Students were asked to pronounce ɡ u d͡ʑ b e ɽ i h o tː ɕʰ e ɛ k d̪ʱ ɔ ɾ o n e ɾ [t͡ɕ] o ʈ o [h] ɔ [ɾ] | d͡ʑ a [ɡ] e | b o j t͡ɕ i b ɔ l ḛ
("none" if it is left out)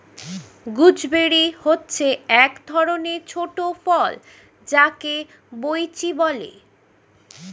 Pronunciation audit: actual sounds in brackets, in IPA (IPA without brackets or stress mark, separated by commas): t͡ɕʰ, f, l, k